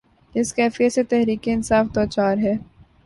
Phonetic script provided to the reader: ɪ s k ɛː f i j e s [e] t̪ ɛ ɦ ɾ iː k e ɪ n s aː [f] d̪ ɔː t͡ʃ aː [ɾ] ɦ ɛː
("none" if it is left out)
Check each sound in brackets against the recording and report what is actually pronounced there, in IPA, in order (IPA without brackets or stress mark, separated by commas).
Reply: e, f, ɾ